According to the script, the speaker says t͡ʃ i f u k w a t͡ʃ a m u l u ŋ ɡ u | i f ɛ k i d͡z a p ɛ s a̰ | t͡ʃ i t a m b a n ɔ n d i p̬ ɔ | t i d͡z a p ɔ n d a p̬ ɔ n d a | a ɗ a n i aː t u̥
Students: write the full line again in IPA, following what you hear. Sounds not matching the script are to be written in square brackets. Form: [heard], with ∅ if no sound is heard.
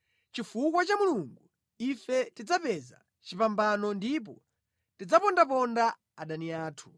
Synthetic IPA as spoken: t͡ʃ i f u k w a t͡ʃ a m u l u ŋ ɡ u | i f ɛ [t] i d͡z a p ɛ [z] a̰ | t͡ʃ i [p] a m b a n ɔ n d i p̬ ɔ | t i d͡z a p ɔ n d a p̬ ɔ n d a | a ɗ a n i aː [tʰ] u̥